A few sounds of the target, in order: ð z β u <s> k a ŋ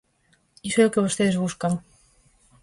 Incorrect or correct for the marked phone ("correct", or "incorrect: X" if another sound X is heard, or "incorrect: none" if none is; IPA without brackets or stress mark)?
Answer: correct